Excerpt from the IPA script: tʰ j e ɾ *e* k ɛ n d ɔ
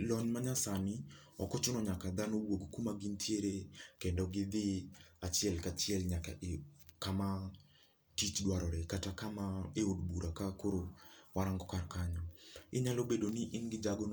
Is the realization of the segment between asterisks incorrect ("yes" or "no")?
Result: no